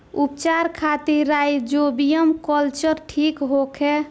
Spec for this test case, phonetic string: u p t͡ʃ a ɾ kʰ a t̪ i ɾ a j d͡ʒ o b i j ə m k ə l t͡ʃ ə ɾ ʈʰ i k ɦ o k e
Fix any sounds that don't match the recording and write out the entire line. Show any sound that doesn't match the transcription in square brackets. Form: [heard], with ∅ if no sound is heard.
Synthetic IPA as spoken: u p t͡ʃ a ɾ kʰ a t̪ i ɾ a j d͡ʒ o b i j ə m k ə l t͡ʃ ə ɾ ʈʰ i k ɦ o [kʰ] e

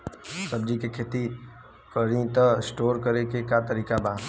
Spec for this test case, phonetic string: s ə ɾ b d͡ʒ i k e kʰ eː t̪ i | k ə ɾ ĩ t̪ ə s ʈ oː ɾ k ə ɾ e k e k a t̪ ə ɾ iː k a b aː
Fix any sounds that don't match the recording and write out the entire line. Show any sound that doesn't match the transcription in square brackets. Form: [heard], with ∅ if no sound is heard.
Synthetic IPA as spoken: s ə [∅] b d͡ʒ i k e kʰ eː t̪ i | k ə ɾ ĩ t̪ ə s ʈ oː ɾ k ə ɾ e k e k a t̪ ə ɾ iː k a b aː

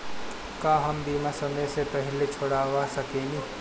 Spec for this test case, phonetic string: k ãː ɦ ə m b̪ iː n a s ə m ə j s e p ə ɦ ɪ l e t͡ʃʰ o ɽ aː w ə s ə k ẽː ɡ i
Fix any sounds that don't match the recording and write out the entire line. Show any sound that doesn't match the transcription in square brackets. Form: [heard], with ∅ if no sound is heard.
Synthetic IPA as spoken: k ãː ɦ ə m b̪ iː [m] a s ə m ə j s e p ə ɦ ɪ l e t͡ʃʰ o ɽ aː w [a] s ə k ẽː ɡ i

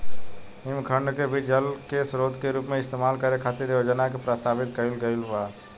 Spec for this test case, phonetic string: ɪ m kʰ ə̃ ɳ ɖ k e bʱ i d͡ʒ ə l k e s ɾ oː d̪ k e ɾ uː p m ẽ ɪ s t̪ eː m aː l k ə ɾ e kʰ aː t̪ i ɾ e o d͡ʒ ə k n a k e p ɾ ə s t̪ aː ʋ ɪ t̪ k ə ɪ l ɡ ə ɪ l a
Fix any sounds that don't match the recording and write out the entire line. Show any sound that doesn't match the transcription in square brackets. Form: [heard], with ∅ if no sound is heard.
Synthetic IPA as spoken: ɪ m kʰ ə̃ ɳ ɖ k e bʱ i d͡ʒ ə l k e s ɾ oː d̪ k e ɾ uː p m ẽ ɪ s t̪ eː m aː l k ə ɾ e kʰ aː t̪ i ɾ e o d͡ʒ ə [∅] n a k e p ɾ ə s t̪ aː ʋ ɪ t̪ k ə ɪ l ɡ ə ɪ l a

